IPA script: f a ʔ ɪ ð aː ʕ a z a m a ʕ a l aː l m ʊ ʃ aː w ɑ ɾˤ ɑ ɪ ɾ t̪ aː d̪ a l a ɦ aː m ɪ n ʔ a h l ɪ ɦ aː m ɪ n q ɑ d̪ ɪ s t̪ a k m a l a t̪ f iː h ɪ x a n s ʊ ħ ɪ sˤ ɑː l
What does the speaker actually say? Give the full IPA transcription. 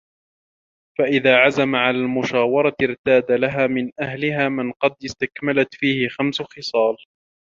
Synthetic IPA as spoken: f a ʔ ɪ ð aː ʕ a z a m a ʕ a l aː l m ʊ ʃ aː w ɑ ɾˤ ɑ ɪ ɾ t̪ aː d̪ a l a ɦ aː m ɪ n ʔ a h l ɪ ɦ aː m ɪ n q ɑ d̪ ɪ s t̪ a k m a l a t̪ f iː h ɪ x a m s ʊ x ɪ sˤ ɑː l